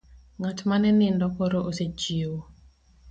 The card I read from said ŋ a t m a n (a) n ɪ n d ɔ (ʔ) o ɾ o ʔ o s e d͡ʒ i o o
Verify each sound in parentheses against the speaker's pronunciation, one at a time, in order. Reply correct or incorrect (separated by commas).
incorrect, incorrect